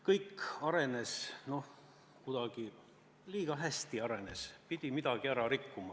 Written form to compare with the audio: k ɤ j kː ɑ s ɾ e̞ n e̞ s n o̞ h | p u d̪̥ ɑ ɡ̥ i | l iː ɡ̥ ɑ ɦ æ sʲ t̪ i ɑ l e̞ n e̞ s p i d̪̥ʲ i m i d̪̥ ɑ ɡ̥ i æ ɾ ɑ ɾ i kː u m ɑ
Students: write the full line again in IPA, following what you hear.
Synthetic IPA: k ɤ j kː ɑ ɾ e̞ n e̞ s n o̞ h | k u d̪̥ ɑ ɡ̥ i | l iː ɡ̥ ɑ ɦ æ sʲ t̪ i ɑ ɾ e̞ n e̞ s p i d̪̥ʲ i m i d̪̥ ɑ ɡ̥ i æ ɾ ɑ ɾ i kː u m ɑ